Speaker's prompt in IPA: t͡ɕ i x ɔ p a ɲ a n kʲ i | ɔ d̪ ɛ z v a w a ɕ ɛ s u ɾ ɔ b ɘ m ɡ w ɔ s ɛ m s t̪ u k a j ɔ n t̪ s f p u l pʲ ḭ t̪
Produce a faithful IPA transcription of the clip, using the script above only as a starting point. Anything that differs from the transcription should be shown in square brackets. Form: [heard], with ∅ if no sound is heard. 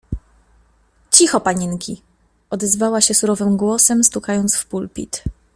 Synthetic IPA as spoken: t͡ɕ i x ɔ p a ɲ [i] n kʲ i | ɔ d̪ ɛ z v a w a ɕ ɛ s u ɾ ɔ [v] ɘ m ɡ w ɔ s ɛ m s t̪ u k a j ɔ n t̪ s f p u l pʲ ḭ t̪